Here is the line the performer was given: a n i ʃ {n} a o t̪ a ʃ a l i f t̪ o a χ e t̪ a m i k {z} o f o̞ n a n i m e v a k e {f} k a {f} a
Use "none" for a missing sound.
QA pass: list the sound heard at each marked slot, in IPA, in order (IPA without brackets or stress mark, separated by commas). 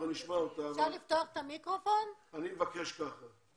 m, ʁ, ʃ, χ